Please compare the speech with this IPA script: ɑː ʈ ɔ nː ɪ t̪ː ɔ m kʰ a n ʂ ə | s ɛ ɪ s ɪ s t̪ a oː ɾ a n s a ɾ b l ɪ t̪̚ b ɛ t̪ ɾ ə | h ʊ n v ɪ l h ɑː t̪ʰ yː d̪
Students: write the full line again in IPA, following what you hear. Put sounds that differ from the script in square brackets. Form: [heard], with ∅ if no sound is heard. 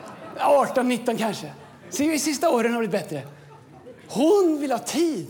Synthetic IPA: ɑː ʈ ɔ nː ɪ t̪ː ɔ [n] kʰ a n ʂ ə | s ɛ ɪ s ɪ s t̪ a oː ɾ [ə] n [h] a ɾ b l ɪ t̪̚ b ɛ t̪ ɾ ə | h ʊ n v ɪ l h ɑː t̪ʰ [iː] d̪